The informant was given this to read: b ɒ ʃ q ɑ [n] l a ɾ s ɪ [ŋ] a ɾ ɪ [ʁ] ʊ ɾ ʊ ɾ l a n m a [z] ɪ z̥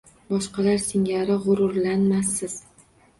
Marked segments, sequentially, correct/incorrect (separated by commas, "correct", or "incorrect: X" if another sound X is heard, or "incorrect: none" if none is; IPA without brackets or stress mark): incorrect: none, correct, correct, incorrect: s